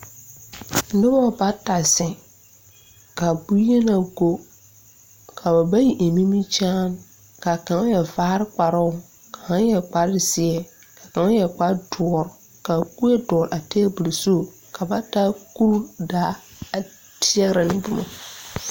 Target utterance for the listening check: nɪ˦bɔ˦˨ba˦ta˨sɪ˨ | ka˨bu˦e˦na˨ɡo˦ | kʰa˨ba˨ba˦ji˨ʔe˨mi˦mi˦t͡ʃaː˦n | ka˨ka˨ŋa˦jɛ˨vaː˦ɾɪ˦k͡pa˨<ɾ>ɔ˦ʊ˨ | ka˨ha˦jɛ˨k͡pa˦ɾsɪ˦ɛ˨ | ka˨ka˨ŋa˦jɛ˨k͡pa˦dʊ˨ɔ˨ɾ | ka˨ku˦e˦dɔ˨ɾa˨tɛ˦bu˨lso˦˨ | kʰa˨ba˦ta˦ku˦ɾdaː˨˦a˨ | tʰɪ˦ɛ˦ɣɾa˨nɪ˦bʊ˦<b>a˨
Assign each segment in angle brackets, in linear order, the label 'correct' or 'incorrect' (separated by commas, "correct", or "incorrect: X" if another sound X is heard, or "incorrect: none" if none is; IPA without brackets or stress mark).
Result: correct, incorrect: m